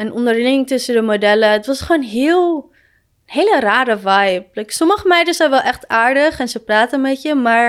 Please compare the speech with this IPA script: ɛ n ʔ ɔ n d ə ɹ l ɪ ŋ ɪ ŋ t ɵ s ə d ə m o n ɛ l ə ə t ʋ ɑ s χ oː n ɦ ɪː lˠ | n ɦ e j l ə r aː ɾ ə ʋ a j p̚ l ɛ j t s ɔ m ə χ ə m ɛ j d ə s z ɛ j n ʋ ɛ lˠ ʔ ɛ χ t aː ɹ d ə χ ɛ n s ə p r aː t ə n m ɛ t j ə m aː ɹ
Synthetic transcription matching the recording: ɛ n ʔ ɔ n d ə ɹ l ɪ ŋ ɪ ŋ t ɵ s ə d ə m o d ɛ l ə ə t ʋ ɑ s χ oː n ɦ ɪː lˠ | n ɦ e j l ə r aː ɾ ə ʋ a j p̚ l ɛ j k s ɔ m ə χ ə m ɛ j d ə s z ɛ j n ʋ ɛ lˠ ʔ ɛ χ t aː ɹ d ə χ ɛ n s ə p r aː t ə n m ɛ t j ə m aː ɹ